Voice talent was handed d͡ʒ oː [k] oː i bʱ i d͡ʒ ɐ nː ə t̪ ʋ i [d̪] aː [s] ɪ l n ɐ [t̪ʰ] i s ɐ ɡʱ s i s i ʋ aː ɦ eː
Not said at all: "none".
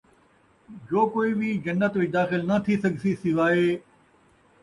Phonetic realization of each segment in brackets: k, d̪, x, t̪ʰ

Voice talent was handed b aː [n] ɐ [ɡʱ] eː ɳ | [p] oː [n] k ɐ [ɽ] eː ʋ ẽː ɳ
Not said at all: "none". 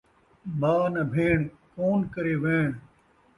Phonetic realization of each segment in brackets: n, bʱ, k, n, ɾ

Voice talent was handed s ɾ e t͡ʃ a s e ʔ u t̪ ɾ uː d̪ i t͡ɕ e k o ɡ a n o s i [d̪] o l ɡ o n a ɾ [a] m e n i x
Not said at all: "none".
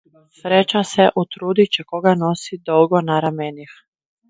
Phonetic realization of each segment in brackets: d̪, a

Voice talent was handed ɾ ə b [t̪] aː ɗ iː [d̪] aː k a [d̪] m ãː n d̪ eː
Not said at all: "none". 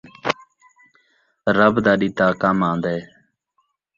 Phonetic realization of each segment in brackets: d̪, t̪, none

